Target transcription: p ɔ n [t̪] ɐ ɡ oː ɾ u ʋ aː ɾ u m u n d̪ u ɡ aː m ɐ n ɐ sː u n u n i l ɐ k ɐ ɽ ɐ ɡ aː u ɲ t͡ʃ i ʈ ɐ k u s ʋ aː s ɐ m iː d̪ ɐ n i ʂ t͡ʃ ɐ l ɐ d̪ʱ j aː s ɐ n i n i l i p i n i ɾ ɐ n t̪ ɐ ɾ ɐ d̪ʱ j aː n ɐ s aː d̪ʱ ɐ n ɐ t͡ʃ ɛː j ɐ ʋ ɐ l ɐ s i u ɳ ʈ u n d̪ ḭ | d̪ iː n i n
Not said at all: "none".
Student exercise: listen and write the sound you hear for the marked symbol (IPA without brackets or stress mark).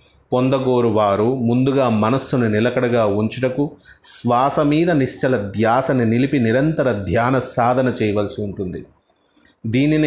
d̪